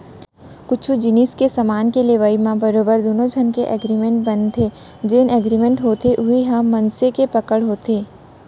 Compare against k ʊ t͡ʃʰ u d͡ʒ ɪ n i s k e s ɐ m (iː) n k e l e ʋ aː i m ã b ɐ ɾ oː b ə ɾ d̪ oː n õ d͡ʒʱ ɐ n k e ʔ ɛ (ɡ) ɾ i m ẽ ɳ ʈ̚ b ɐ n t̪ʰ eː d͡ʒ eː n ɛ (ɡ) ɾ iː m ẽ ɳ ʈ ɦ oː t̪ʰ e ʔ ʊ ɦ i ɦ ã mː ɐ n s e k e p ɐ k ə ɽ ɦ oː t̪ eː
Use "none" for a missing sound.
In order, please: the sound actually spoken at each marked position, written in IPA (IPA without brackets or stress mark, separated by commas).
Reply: aː, ɡ, ɡ